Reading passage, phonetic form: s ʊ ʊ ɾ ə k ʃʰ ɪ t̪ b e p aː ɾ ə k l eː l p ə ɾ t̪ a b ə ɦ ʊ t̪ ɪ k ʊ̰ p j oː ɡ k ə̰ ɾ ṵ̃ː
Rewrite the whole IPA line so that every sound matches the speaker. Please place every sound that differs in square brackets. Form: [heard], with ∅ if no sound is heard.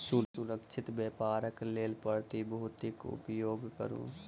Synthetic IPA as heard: s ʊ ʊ ɾ ə k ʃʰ ɪ t̪ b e p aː ɾ ə k l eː l p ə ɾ t̪ [i] b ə ɦ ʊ t̪ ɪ k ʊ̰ p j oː ɡ k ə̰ ɾ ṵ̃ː